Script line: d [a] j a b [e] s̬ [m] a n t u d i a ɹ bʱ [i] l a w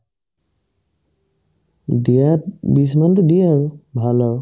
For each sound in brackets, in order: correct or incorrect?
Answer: incorrect, incorrect, correct, incorrect

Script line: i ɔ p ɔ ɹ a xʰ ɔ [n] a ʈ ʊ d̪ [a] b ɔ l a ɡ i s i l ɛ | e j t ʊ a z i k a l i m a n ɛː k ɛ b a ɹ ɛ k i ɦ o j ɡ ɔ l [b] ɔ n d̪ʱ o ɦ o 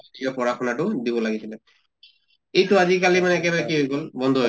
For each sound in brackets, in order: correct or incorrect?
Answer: correct, incorrect, correct

